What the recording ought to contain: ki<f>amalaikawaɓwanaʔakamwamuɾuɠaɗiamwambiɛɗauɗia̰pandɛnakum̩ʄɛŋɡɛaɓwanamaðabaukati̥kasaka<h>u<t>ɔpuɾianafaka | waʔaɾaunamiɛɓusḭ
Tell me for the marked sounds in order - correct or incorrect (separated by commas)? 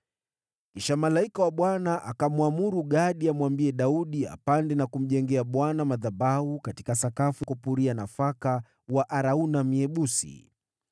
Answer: incorrect, incorrect, incorrect